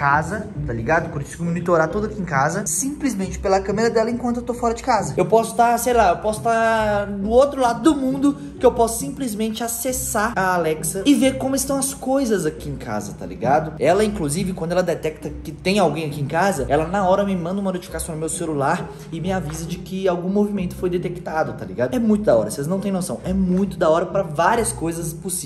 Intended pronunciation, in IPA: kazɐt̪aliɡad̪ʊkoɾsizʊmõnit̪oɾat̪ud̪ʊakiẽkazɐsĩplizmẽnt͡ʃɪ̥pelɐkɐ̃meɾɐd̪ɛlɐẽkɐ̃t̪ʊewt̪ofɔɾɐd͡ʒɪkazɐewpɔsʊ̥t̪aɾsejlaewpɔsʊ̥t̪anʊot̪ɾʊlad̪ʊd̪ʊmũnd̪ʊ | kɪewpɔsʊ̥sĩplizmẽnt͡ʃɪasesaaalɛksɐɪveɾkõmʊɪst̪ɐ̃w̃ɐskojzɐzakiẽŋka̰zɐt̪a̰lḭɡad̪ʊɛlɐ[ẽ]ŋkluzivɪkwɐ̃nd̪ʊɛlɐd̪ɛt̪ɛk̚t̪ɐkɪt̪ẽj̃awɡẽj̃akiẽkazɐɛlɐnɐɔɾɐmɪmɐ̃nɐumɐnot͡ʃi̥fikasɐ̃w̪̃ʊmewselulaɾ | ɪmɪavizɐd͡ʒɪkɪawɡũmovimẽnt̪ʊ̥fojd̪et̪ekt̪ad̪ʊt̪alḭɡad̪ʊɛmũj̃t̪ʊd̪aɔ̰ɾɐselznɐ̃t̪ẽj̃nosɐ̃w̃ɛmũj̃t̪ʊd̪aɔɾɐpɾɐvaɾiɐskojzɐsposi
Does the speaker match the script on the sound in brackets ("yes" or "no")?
no